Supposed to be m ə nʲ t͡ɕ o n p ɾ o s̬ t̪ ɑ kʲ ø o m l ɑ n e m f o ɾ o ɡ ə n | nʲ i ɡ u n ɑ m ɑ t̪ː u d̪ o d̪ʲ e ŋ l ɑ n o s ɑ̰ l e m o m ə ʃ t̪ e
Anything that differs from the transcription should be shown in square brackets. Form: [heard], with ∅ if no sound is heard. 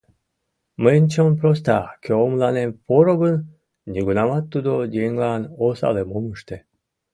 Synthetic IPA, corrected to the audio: m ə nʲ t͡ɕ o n p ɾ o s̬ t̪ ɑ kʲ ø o m l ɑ n e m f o ɾ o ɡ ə n | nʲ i ɡ u n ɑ m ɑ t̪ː u d̪ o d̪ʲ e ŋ l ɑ n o s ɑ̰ l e m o m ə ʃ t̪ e

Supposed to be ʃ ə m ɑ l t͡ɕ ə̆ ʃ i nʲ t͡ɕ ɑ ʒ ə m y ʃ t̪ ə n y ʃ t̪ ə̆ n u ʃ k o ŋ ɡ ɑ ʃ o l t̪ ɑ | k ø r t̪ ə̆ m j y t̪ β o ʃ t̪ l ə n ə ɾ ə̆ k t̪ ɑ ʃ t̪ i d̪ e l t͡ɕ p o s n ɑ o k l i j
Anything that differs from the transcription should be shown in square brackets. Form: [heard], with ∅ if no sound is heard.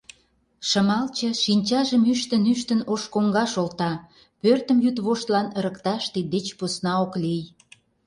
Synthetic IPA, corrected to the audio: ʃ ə m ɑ l t͡ɕ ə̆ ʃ i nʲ t͡ɕ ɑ ʒ ə m y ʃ t̪ ə n y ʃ t̪ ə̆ n [o] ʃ k o ŋ ɡ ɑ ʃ o l t̪ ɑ | [p] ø r t̪ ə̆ m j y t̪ β o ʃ t̪ l [ɑ] n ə ɾ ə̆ k t̪ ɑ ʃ t̪ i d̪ e [∅] t͡ɕ p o s n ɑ o k l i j

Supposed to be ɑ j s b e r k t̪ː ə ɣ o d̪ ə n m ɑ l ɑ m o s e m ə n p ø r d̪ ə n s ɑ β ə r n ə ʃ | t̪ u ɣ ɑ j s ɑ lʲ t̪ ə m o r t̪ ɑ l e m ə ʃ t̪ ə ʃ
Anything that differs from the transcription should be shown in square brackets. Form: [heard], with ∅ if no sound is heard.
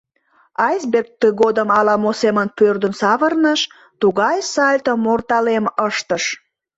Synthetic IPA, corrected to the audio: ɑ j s b e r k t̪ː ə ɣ o d̪ ə [∅] m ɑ l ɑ m o s e m ə n p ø r d̪ ə n s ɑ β ə r n ə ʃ | t̪ u ɣ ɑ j s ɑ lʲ t̪ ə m o r t̪ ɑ l e m ə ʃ t̪ ə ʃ

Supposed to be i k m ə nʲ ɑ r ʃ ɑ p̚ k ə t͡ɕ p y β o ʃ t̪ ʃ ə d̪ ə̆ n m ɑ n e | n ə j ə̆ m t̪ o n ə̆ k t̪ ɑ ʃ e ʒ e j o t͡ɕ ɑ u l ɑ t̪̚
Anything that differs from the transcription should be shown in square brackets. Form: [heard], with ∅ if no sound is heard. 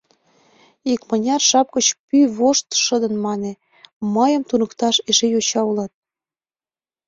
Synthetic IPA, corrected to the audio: i k m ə nʲ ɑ r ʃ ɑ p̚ k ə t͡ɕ p y β o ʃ t̪ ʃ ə d̪ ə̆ n m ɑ n e | [m] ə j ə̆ m t̪ [u] n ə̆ k t̪ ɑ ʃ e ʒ e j o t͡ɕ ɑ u l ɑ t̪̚

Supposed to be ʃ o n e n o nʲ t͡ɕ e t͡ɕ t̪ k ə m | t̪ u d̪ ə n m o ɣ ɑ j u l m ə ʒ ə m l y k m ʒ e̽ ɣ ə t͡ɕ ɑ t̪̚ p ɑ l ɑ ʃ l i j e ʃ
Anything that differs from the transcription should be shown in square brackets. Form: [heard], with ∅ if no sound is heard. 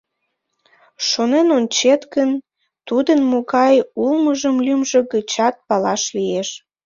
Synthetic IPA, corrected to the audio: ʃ o n e n o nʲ t͡ɕ e [∅] t̪ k ə [n] | t̪ u d̪ ə n m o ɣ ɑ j u l m ə ʒ ə m l y [∅] m ʒ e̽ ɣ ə t͡ɕ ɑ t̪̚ p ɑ l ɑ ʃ l i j e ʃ

